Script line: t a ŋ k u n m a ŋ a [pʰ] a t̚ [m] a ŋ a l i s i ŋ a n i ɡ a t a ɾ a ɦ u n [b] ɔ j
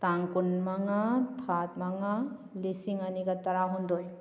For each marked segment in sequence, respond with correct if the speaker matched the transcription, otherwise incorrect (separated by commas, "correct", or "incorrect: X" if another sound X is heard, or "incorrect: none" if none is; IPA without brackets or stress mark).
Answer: incorrect: tʰ, correct, incorrect: d